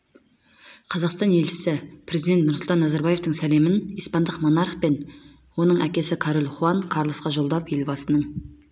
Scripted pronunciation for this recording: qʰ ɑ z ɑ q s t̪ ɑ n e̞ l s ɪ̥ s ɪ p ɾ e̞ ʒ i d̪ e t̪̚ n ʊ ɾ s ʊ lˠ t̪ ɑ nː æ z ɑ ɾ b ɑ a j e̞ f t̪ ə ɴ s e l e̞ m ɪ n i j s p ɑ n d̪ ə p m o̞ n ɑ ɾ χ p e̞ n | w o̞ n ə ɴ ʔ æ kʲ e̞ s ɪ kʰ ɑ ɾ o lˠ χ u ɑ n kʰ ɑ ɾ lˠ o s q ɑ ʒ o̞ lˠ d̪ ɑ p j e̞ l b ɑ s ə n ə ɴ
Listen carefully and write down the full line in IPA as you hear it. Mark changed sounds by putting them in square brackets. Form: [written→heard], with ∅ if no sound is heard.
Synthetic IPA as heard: qʰ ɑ z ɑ q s t̪ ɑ n e̞ l [s→ʃ] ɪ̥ s ɪ p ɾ e̞ [ʒ→z] i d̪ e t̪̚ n ʊ ɾ s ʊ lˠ t̪ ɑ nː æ z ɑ ɾ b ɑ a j e̞ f t̪ ə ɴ s [e→æ] l e̞ m ɪ n i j s p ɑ n d̪ ə [p→q] m o̞ n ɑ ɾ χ p e̞ n | w o̞ n ə ɴ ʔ æ kʲ e̞ s ɪ kʰ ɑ ɾ o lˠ χ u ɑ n kʰ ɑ ɾ lˠ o s q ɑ ʒ o̞ lˠ d̪ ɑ p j e̞ l b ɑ s ə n ə ɴ

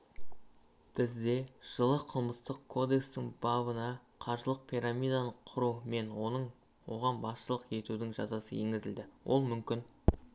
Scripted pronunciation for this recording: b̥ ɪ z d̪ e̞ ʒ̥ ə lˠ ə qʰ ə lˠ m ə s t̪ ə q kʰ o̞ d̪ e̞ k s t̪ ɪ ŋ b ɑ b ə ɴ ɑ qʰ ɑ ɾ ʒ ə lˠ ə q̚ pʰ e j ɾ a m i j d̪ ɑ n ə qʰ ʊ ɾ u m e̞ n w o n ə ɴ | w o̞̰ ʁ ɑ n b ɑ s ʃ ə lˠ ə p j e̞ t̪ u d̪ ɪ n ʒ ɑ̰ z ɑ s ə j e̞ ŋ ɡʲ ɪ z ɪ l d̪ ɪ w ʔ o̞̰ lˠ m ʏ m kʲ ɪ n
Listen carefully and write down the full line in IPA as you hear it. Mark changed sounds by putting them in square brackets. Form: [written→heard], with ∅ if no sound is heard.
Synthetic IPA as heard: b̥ ɪ z d̪ e̞ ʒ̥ ə lˠ ə qʰ ə lˠ m ə s t̪ ə q kʰ o̞ d̪ e̞ k s t̪ ɪ ŋ b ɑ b ə [ɴ→n] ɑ qʰ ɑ ɾ ʒ ə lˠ ə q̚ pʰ [e→i] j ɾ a m i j d̪ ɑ n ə qʰ ʊ ɾ u m e̞ n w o n ə ɴ | w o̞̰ ʁ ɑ n b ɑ s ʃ ə lˠ ə [p→q] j e̞ t̪ u d̪ ɪ [n→ŋ] ʒ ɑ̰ z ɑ s ə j e̞ ŋ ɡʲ ɪ z ɪ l d̪ ɪ w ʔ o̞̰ lˠ m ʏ m kʲ ɪ n

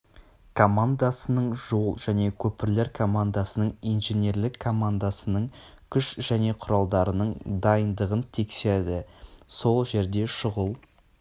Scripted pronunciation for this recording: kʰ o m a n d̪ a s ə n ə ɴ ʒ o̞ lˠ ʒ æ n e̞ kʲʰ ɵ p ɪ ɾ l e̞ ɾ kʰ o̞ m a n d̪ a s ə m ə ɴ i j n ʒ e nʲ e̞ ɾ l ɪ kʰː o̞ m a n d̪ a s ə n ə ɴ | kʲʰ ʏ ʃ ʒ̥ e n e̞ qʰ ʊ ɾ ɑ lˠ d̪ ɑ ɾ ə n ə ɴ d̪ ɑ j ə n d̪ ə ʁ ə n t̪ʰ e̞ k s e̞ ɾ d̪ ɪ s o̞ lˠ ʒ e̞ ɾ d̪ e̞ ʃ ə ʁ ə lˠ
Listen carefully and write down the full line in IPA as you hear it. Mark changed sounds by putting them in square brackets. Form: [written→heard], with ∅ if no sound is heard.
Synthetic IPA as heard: kʰ o m a n d̪ a s ə n ə ɴ ʒ o̞ lˠ ʒ æ n e̞ kʲʰ ɵ p ɪ ɾ l e̞ ɾ kʰ o̞ m a n d̪ a s ə [m→n] ə ɴ i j n ʒ e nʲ e̞ ɾ l ɪ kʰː o̞ m a n d̪ a s ə n ə ɴ | kʲʰ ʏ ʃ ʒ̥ [e→æ] n e̞ qʰ ʊ ɾ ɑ lˠ d̪ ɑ ɾ ə n ə ɴ d̪ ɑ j ə n d̪ ə ʁ ə n t̪ʰ e̞ k s e̞ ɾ d̪ ɪ s o̞ lˠ ʒ e̞ ɾ d̪ e̞ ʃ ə ʁ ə lˠ

